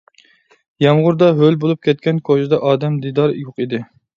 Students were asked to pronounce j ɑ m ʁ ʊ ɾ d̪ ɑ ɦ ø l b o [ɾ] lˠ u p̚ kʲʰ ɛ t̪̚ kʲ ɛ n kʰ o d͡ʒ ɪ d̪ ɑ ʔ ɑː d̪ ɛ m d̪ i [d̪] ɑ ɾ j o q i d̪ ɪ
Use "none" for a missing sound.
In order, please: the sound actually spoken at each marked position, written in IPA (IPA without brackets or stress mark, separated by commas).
none, d̪